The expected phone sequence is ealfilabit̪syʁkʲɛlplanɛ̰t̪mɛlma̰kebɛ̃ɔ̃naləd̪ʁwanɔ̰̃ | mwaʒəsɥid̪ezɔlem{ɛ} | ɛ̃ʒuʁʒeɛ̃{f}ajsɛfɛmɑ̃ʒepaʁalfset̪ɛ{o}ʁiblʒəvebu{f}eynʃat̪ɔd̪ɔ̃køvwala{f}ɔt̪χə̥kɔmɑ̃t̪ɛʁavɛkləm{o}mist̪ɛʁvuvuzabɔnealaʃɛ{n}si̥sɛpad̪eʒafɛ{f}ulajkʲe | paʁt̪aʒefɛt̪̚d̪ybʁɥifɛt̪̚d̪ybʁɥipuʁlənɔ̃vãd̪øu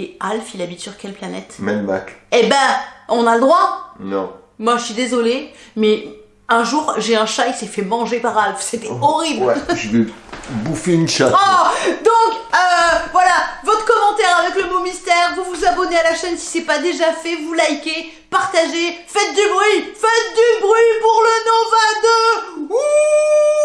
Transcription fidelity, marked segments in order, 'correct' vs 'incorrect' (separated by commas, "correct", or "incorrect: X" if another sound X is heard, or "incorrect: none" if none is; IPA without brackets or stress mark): correct, incorrect: ʃ, incorrect: ɔ, correct, incorrect: v, correct, correct, incorrect: v